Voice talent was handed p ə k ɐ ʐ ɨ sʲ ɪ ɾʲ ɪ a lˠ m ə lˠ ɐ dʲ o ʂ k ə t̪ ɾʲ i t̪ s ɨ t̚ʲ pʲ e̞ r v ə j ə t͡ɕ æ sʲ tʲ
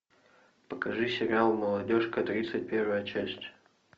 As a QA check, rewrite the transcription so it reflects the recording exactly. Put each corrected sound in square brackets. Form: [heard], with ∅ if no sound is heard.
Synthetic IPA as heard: p ə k ɐ ʐ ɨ sʲ ɪ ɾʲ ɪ a lˠ m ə lˠ ɐ dʲ o ʂ k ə t̪ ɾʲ i t̪ s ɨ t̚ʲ pʲ e̞ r v ə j ə t͡ɕ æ sʲ tʲ